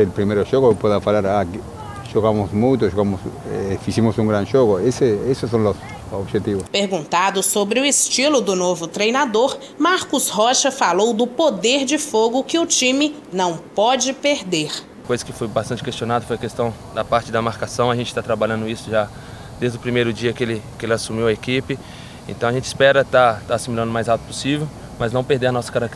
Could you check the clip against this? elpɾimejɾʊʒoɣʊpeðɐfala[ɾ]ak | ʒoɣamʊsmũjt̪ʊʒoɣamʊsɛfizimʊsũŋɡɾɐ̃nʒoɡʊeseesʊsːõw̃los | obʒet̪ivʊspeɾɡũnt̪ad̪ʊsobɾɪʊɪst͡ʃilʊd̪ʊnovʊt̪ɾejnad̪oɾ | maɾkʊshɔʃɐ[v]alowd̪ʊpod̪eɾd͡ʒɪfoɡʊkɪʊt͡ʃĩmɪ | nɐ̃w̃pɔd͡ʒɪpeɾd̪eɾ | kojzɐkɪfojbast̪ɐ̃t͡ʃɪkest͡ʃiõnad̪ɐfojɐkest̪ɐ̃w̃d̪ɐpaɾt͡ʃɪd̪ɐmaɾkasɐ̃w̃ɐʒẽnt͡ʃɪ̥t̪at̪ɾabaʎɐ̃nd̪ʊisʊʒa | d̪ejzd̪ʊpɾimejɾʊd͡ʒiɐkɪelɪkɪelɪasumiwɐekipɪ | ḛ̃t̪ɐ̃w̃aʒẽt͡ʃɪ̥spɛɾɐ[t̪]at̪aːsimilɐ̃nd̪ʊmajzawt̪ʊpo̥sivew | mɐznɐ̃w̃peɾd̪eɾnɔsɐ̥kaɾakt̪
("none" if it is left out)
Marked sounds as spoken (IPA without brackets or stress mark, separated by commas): ɾ, f, t̪